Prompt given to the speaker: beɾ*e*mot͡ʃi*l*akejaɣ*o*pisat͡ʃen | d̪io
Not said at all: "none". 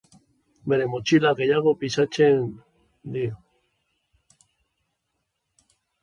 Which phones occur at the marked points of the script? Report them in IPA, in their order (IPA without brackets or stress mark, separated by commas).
e, l, o